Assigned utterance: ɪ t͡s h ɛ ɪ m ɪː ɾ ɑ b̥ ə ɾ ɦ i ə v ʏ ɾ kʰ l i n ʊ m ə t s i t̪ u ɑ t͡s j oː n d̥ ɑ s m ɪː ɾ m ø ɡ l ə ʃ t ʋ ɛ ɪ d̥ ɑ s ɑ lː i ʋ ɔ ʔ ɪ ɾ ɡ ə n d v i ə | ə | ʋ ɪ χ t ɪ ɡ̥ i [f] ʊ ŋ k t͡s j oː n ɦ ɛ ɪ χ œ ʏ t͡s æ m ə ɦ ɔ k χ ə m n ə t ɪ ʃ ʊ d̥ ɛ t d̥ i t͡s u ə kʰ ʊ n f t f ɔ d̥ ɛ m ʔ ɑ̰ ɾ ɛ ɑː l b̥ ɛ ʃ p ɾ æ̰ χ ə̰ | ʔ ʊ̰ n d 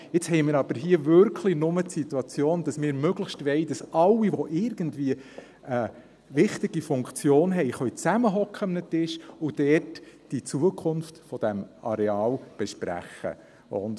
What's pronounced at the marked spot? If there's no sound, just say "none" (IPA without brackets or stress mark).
f